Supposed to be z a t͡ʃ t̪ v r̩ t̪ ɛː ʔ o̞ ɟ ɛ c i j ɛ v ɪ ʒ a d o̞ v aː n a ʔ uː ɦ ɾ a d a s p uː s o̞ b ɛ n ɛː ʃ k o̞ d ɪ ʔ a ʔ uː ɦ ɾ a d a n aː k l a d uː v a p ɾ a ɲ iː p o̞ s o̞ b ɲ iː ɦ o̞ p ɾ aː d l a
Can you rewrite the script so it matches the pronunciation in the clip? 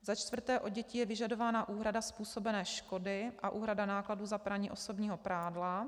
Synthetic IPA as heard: z a t͡ʃ t̪ v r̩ t̪ ɛː ʔ o̞ ɟ ɛ c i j ɛ v ɪ ʒ a d o̞ v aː n a ʔ uː ɦ ɾ a d a s p uː s o̞ b ɛ n ɛː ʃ k o̞ d ɪ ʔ a ʔ uː ɦ ɾ a d a n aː k l a d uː z a p ɾ a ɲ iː ʔ o̞ s o̞ b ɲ iː ɦ o̞ p ɾ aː d l a